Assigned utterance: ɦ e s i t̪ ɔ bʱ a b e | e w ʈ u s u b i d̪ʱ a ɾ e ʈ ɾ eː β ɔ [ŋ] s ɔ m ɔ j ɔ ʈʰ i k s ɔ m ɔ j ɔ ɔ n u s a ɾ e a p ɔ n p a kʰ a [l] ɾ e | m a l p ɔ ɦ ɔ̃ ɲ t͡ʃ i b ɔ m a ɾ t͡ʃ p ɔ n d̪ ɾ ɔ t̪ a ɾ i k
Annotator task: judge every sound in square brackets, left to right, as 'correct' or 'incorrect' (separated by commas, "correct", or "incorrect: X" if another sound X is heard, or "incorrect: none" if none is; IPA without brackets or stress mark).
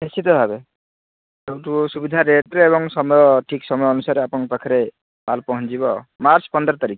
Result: correct, incorrect: none